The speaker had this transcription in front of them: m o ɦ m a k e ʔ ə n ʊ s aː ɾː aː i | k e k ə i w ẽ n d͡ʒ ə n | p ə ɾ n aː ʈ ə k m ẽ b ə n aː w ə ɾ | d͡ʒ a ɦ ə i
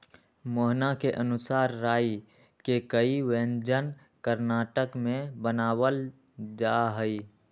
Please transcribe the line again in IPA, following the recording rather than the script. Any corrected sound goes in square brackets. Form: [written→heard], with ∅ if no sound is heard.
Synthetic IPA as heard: m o ɦ [m→n] a k e ʔ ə n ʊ s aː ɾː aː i | k e k ə i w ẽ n d͡ʒ ə n | [p→k] ə ɾ n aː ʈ ə k m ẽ b ə n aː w ə [ɾ→l] | d͡ʒ a ɦ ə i